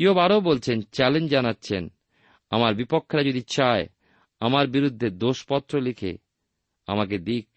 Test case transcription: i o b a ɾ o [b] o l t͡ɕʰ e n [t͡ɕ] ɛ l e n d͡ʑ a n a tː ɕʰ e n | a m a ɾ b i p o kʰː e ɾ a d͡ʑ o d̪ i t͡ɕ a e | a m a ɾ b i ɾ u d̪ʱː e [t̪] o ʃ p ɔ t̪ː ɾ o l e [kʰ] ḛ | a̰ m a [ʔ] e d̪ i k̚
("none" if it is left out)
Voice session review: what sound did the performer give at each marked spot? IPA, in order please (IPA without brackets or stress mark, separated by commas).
b, t͡ɕ, d̪, kʰ, k